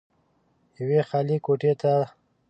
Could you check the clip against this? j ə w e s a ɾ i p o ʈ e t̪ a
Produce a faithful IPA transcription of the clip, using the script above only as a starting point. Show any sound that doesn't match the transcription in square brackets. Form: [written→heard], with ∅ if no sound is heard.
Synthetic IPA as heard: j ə w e [s→x] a [ɾ→l] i [p→k] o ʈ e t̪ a

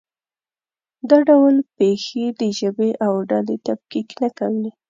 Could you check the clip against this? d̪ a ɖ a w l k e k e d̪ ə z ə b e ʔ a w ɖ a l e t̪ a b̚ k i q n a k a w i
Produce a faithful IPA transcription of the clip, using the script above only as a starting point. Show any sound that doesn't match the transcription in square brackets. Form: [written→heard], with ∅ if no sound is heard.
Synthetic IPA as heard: d̪ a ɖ a w l [k→p] e [k→x] e d̪ ə [z→ʒ] ə b e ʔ a w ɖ a l e t̪ a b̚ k i [q→k] n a k a w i

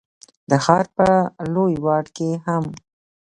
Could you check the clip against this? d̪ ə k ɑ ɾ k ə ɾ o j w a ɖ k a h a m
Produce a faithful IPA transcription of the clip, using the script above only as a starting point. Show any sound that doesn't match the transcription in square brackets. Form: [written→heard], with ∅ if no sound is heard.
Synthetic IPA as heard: d̪ ə [k→x] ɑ ɾ [k→p] ə [ɾ→l] o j w [a→ɑ] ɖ k [a→e] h a m

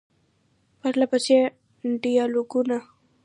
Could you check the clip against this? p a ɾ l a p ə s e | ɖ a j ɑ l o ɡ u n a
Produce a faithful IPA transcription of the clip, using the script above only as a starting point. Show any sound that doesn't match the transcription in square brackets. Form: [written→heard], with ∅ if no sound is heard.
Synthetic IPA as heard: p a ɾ l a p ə s e | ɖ [a→i] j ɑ l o ɡ u n a

